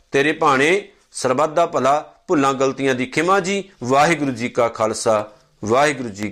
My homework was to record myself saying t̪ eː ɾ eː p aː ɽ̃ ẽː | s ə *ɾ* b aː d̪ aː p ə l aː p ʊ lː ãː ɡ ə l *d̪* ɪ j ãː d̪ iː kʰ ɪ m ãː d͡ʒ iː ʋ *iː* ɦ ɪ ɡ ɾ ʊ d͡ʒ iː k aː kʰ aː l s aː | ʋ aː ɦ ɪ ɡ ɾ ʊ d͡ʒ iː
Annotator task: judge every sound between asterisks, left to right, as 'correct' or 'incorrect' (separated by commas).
correct, incorrect, incorrect